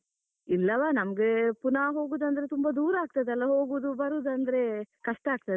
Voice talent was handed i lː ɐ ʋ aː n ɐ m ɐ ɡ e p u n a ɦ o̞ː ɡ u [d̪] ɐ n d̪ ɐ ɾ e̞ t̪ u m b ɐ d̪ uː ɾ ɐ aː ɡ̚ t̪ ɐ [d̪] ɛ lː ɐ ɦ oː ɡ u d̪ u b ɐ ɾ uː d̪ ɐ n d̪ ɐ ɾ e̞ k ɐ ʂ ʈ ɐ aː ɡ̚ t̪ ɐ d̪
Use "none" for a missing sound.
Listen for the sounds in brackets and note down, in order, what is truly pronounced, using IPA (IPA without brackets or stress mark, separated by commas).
d̪, d̪